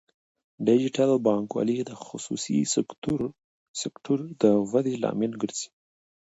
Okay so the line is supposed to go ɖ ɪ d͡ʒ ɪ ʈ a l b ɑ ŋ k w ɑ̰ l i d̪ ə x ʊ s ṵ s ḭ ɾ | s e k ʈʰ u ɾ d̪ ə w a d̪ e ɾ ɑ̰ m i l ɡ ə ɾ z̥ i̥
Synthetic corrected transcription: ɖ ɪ d͡ʒ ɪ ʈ a l b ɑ ŋ k w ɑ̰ l i d̪ ə x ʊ s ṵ s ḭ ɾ | s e k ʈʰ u ɾ d̪ ə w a d̪ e l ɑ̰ m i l ɡ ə ɾ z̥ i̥